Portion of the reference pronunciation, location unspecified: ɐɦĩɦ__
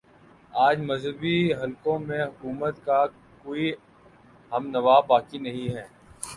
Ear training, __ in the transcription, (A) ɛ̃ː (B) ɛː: B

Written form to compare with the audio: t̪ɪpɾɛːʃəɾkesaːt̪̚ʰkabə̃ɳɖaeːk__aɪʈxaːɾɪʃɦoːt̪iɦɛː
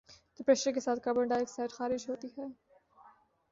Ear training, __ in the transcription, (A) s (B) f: A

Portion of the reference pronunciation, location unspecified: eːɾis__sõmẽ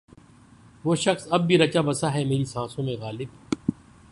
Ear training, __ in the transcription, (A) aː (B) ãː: B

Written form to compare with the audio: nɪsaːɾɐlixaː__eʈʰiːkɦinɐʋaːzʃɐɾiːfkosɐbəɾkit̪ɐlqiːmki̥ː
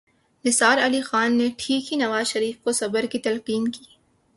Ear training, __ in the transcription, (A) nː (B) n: A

